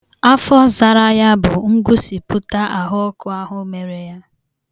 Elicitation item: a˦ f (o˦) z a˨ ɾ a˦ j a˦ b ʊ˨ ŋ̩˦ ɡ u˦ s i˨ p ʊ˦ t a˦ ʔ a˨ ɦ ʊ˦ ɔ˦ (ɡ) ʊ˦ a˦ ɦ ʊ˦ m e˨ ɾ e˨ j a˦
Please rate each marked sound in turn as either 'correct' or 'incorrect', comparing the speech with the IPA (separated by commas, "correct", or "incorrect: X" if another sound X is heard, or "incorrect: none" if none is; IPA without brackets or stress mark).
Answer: incorrect: ɔ˦, incorrect: k